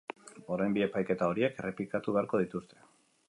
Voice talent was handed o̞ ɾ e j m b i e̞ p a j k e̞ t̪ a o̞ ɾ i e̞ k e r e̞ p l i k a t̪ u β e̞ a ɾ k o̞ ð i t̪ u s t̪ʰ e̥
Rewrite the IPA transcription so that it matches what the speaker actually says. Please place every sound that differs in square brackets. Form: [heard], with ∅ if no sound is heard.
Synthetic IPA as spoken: o̞ ɾ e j m b i e̞ p a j k e̞ t̪ a o̞ ɾ i e̞ k e r e̞ p l i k a t̪ u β e̞ a ɾ k o̞ ð i t̪ u s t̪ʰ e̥